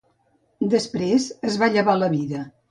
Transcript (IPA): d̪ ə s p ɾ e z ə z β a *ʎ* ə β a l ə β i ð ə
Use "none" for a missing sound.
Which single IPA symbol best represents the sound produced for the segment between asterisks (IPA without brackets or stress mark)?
ʎ